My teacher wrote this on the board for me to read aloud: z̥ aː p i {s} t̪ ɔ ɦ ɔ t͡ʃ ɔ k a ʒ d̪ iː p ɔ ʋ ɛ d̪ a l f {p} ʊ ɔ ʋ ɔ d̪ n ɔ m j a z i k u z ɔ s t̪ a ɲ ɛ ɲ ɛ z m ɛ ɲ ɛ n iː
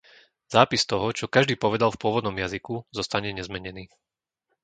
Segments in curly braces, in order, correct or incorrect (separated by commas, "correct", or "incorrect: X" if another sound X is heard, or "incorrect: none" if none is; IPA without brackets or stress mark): correct, correct